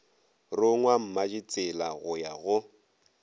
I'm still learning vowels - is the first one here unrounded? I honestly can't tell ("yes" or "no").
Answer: no